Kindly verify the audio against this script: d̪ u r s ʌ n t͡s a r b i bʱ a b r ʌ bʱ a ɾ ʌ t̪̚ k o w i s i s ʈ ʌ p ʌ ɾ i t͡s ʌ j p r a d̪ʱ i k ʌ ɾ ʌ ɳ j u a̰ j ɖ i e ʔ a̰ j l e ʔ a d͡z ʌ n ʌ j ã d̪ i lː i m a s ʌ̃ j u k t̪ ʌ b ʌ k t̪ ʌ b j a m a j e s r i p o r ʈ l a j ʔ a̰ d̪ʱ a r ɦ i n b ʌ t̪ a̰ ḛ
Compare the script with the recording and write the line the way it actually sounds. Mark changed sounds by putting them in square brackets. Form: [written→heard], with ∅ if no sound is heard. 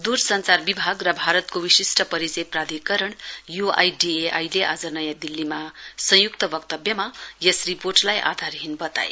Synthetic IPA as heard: d̪ u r s ʌ n t͡s a r b i bʱ a [b→ɡ] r ʌ bʱ a ɾ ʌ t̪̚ k o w i s i s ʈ ʌ p ʌ ɾ i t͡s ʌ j p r a d̪ʱ i k ʌ ɾ ʌ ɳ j u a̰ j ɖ i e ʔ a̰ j l e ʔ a d͡z ʌ n ʌ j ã d̪ i lː i m a s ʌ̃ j u k t̪ ʌ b ʌ k t̪ ʌ b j [a→ʌ] m a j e s r i p o r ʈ l a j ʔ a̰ d̪ʱ a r ɦ i n b ʌ t̪ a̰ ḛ